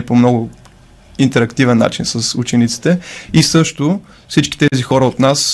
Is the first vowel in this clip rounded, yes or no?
yes